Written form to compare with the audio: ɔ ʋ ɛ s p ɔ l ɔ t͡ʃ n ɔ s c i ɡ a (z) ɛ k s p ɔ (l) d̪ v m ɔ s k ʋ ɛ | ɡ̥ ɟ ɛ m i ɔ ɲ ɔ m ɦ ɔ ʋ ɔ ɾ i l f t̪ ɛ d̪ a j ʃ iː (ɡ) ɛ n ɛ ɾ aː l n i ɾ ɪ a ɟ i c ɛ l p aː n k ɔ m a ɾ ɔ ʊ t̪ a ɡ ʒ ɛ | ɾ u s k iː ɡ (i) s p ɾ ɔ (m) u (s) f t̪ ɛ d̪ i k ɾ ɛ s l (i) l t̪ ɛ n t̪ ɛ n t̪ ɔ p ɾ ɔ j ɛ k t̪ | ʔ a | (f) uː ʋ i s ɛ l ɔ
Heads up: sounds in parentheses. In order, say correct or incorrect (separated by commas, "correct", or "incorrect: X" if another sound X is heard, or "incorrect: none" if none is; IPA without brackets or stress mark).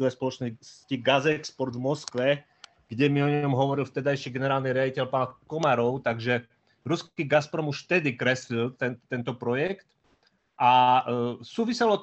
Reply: correct, incorrect: ɾ, correct, incorrect: a, correct, incorrect: ʃ, correct, incorrect: s